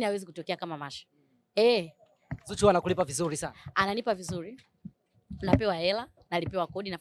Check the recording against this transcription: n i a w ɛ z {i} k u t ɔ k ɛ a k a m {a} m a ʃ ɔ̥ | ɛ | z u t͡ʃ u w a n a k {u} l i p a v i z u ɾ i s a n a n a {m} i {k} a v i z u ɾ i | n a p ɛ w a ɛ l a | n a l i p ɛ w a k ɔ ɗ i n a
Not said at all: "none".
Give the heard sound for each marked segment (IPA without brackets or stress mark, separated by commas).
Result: i, a, u, n, p